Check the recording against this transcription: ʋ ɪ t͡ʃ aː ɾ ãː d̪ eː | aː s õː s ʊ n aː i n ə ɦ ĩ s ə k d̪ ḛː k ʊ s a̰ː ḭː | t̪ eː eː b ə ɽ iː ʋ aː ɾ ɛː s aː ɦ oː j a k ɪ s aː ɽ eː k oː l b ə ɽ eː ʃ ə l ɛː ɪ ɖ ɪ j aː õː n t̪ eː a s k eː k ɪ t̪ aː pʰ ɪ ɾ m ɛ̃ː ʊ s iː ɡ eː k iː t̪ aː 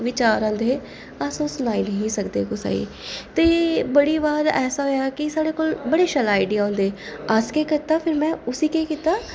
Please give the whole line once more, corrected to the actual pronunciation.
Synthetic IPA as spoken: ʋ ɪ t͡ʃ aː ɾ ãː d̪ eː | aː s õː s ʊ n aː i n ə ɦ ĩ s ə k d̪ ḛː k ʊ s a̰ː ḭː | t̪ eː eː b ə ɽ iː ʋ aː ɾ ɛː s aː ɦ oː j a k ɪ s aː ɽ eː k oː l b ə ɽ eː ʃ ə l aː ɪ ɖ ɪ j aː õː n d̪ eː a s k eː k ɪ t̪ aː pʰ ɪ ɾ m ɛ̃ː ʊ s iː k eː k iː t̪ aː

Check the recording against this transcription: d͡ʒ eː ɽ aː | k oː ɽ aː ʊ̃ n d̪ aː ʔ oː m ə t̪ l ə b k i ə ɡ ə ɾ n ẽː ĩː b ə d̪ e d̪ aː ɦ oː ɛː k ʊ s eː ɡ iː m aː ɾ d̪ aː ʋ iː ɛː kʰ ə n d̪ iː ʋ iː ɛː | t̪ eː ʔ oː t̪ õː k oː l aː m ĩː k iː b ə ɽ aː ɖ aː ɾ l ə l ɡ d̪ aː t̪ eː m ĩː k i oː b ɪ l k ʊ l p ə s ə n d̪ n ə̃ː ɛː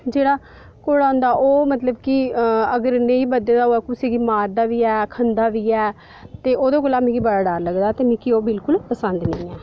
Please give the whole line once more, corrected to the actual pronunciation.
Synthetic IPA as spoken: d͡ʒ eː ɽ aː | k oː ɽ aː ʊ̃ n d̪ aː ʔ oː m ə t̪ l ə b k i ə ɡ ə ɾ n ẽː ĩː b ə d̪ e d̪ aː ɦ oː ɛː k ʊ s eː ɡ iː m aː ɾ d̪ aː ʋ iː ɛː kʰ ə n d̪ aː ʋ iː ɛː | t̪ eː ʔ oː d̪ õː k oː l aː m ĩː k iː b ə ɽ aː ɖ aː ɾ l ə ɡ d̪ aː t̪ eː m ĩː k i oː b ɪ l k ʊ l p ə s ə n d̪ n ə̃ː ɛː

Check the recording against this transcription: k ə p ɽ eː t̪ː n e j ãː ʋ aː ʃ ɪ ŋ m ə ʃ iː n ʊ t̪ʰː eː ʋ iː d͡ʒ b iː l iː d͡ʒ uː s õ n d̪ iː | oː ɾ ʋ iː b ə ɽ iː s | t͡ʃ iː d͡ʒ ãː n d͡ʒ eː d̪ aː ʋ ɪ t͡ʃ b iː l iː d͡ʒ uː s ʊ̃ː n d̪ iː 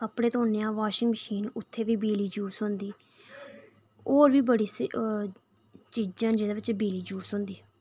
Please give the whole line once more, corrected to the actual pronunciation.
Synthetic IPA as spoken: k ə p ɽ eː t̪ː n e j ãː ʋ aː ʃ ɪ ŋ m ə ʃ iː n ʊ t̪ʰː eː ʋ iː b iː l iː d͡ʒ uː s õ n d̪ iː | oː ɾ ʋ iː b ə ɽ iː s | t͡ʃ iː d͡ʒ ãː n d͡ʒ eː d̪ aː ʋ ɪ t͡ʃ b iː l iː d͡ʒ uː s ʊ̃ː n d̪ iː

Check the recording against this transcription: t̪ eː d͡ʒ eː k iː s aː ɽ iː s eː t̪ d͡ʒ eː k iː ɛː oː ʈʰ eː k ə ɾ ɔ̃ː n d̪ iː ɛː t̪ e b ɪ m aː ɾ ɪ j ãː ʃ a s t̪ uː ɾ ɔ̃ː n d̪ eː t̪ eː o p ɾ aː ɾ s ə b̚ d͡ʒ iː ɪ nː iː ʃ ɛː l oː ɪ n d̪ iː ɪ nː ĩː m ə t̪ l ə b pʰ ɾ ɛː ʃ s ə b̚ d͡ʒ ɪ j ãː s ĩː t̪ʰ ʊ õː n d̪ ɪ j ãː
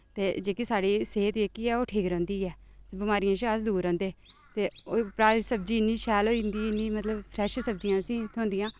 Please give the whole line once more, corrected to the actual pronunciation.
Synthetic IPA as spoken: t̪ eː d͡ʒ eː k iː s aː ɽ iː s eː t̪ d͡ʒ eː k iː ɛː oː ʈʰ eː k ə ɾ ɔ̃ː n d̪ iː ɛː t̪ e b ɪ m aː ɾ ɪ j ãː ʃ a s d̪ uː ɾ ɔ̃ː n d̪ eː t̪ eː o p ɾ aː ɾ s ə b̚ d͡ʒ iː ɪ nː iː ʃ ɛː l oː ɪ n d̪ iː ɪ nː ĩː m ə t̪ l ə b pʰ ɾ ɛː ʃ s ə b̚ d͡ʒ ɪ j ãː s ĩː t̪ʰ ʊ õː n d̪ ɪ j ãː

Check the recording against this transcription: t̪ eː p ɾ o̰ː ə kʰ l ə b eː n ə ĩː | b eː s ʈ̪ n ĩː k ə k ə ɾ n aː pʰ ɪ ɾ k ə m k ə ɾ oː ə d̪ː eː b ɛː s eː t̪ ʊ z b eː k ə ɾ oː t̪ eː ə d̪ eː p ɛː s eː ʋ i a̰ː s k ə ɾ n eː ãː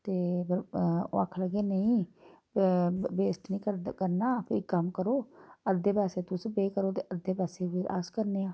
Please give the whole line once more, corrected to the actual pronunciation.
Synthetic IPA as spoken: t̪ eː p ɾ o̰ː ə kʰ l ə ɡ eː n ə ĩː | b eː s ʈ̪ n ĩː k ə k ə ɾ n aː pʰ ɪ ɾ k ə m k ə ɾ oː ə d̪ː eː p ɛː s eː t̪ ʊ s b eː k ə ɾ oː t̪ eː ə d̪ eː p ɛː s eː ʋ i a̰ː s k ə ɾ n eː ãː

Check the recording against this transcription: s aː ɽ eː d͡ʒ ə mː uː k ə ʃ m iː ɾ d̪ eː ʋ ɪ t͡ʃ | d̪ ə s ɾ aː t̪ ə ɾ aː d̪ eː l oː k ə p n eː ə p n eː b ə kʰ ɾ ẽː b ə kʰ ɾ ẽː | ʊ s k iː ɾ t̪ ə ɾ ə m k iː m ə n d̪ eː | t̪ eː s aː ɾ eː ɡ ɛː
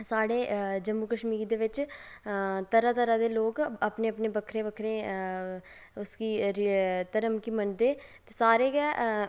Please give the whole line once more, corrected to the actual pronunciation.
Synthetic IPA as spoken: s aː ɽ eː d͡ʒ ə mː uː k ə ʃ m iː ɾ d̪ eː ʋ ɪ t͡ʃ | t̪ ə ɾ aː t̪ ə ɾ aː d̪ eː l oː k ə p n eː ə p n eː b ə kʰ ɾ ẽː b ə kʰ ɾ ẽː | ʊ s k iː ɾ t̪ ə ɾ ə m k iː m ə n d̪ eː | t̪ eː s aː ɾ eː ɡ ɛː

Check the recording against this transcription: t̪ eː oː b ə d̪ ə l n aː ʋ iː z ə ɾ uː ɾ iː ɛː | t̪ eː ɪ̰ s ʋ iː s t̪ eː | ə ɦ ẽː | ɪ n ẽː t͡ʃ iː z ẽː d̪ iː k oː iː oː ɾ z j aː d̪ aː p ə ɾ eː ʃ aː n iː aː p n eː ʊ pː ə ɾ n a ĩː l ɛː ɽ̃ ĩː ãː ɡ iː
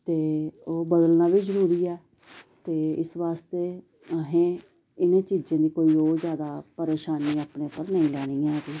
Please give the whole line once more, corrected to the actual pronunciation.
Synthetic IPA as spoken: t̪ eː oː b ə d̪ ə l n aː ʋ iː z ə ɾ uː ɾ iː ɛː | t̪ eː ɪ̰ s ʋ aː s t̪ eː | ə ɦ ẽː | ɪ n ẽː t͡ʃ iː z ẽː d̪ iː k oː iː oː ɾ z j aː d̪ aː p ə ɾ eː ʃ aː n iː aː p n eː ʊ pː ə ɾ n ə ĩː l ɛː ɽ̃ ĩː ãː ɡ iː

